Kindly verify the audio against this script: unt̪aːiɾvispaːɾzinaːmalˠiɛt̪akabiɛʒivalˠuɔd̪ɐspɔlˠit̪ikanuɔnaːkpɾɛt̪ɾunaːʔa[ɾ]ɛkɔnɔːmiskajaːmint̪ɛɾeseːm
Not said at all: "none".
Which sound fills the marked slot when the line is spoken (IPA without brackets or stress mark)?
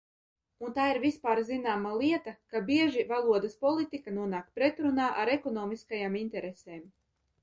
ɾ